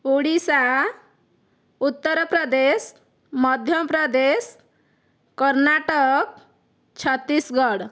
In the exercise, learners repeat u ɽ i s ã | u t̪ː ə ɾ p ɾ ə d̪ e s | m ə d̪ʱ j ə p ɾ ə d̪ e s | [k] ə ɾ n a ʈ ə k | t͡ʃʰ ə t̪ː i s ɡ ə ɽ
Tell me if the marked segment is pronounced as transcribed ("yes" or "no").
yes